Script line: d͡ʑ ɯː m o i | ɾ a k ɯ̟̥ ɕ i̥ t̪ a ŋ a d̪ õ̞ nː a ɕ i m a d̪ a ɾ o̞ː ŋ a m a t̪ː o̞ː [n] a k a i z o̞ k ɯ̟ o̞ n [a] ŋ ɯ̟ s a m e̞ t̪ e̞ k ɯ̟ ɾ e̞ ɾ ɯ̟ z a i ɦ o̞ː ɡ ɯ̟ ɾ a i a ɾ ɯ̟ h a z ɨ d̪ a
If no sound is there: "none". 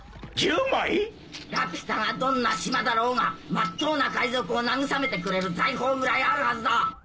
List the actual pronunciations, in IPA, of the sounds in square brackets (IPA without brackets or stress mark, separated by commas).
n, a